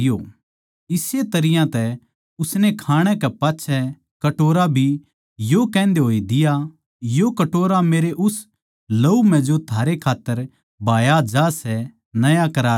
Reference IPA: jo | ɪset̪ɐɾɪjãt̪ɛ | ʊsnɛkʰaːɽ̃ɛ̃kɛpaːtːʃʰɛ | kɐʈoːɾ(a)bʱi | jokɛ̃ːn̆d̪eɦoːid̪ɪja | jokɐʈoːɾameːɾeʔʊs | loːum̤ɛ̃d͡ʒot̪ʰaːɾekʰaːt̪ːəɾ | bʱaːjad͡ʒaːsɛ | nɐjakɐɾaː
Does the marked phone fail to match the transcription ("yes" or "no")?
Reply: no